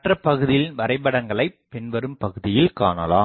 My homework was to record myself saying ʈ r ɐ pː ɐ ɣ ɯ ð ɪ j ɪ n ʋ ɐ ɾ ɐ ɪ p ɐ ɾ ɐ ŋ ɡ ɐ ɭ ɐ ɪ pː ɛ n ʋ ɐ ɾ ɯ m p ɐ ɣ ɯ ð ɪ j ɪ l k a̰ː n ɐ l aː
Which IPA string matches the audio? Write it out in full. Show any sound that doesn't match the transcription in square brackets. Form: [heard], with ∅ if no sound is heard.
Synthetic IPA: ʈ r ɐ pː ɐ ɣ ɯ ð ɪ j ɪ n ʋ ɐ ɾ ɐ ɪ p ɐ [ɽ] ɐ ŋ ɡ ɐ ɭ ɐ ɪ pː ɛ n ʋ ɐ ɾ ɯ m p ɐ ɣ ɯ ð ɪ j ɪ l k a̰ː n ɐ l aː